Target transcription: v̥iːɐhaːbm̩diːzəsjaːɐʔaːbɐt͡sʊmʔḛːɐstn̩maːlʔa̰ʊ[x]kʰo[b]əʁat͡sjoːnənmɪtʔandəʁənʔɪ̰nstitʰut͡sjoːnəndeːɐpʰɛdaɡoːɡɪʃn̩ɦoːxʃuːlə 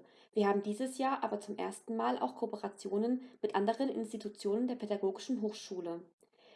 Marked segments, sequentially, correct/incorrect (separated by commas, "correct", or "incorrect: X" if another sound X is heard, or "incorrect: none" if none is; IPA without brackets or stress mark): correct, incorrect: p